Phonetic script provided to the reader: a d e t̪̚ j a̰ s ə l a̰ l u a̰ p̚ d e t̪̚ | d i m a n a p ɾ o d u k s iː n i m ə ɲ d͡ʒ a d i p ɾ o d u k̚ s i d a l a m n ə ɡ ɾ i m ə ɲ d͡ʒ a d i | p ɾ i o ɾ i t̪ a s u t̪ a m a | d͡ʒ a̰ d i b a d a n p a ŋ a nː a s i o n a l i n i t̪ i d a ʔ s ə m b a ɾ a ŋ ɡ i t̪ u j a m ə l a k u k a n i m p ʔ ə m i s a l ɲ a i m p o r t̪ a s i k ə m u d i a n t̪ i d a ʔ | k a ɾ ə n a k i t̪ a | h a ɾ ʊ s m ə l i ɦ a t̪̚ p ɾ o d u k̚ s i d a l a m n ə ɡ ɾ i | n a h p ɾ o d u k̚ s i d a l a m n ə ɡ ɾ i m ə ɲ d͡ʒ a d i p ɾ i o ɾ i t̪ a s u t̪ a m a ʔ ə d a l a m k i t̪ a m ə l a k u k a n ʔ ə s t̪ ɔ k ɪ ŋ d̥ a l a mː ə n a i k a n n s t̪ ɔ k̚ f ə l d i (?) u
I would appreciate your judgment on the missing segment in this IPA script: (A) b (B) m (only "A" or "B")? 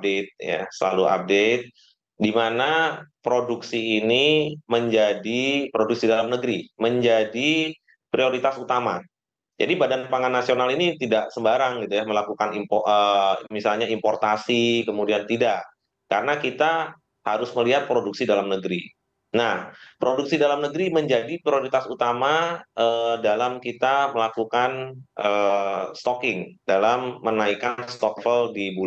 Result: A